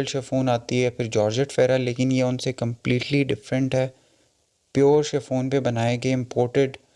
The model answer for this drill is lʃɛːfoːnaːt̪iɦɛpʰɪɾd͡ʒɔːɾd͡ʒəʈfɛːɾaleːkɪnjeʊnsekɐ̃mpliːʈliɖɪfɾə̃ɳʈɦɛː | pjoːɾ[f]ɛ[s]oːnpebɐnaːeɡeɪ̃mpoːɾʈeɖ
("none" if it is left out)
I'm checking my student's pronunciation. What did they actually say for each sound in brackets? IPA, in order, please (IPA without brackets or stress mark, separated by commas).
ʃ, f